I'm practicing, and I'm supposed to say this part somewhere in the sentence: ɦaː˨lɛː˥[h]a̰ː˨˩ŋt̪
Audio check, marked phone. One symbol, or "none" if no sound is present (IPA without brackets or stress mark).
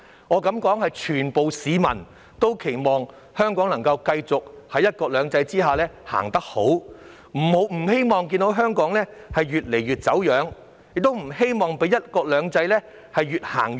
h